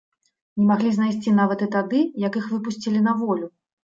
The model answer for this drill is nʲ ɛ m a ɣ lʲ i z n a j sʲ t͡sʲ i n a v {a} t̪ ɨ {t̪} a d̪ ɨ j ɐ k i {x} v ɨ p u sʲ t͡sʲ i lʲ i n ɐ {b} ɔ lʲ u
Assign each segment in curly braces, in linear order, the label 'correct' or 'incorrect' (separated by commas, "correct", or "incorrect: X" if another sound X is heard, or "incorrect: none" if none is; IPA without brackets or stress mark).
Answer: incorrect: ɐ, correct, correct, incorrect: v